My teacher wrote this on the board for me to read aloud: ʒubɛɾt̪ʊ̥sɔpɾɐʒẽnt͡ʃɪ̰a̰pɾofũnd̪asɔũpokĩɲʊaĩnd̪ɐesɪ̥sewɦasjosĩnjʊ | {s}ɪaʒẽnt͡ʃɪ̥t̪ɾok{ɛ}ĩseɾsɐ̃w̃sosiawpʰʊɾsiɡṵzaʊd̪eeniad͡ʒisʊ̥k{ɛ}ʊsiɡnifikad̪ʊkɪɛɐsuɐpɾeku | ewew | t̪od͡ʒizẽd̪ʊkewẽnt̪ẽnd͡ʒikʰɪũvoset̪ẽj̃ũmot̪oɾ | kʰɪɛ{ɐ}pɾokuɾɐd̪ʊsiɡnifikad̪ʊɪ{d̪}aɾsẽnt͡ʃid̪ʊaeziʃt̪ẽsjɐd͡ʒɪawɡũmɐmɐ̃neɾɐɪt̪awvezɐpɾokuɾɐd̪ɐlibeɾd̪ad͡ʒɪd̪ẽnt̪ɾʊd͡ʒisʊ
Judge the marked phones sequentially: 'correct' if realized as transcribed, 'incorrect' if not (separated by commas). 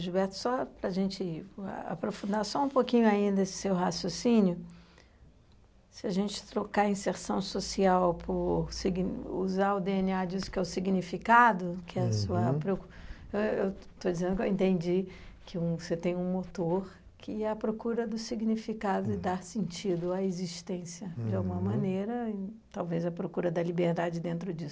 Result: correct, incorrect, correct, correct, correct